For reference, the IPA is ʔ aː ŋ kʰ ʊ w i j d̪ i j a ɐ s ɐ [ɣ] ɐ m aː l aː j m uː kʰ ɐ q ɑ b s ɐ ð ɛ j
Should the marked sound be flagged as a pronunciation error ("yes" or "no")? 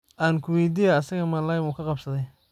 no